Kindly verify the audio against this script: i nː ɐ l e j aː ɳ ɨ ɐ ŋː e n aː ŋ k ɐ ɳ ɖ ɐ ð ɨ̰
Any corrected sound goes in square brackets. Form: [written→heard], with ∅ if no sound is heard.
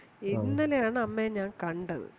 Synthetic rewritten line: i nː ɐ l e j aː ɳ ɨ ɐ [ŋː→mː] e [n→ɲ] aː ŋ k ɐ ɳ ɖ ɐ ð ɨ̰